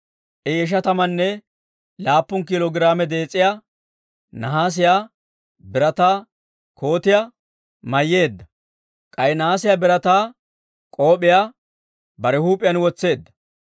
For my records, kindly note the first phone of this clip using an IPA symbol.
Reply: ʔ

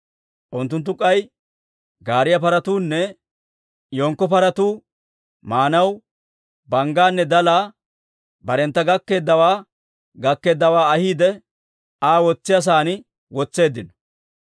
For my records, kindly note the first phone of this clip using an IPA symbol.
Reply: ʔ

